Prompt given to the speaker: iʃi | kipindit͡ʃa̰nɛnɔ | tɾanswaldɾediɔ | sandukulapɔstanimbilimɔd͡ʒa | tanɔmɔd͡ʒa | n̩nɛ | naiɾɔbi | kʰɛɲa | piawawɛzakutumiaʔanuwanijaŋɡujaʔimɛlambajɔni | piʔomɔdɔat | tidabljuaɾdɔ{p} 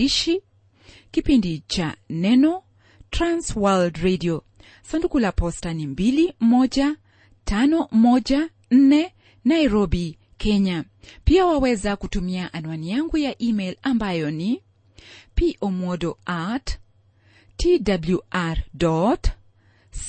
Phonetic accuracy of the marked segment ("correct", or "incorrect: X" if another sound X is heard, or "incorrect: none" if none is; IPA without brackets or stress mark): incorrect: t